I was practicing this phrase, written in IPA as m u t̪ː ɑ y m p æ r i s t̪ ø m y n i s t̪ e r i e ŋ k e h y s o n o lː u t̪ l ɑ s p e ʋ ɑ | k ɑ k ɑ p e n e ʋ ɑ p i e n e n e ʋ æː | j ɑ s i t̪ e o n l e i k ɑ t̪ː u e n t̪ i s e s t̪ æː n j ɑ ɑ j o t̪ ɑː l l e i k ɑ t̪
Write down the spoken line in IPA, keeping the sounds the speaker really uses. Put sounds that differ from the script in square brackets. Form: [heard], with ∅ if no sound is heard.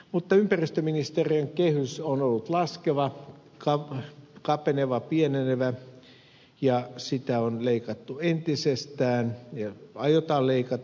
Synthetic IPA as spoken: m u t̪ː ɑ y m p æ r i s t̪ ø m [i] n i s t̪ e r i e ŋ k e h y s o n o lː u t̪ l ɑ s [k] e ʋ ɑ | k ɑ k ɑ p e n e ʋ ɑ p i e n e n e ʋ [æ] | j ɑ s i t̪ [æ] o n l e i k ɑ t̪ː u e n t̪ i s e s t̪ æː n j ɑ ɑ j o t̪ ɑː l l e i k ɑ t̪